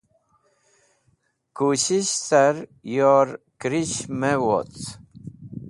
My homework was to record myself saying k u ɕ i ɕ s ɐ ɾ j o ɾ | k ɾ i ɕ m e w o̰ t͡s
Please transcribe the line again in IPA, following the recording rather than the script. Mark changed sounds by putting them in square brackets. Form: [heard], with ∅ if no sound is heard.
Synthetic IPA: k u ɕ i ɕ s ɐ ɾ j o ɾ | k ɾ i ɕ m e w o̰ t͡s